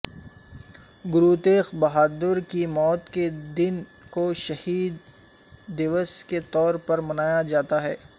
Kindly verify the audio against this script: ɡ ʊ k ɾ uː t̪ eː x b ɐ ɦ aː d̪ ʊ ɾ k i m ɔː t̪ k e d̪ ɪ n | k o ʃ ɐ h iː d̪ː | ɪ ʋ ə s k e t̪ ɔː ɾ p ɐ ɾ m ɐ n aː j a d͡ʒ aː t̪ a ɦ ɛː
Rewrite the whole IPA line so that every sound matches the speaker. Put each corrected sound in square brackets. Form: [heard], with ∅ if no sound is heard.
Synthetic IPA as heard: ɡ ʊ [∅] ɾ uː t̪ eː x b ɐ ɦ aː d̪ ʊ ɾ k i m ɔː t̪ k e d̪ ɪ n | k o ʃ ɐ h iː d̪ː | ɪ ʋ ə s k e t̪ ɔː ɾ p ɐ ɾ m ɐ n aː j a d͡ʒ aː t̪ a ɦ ɛː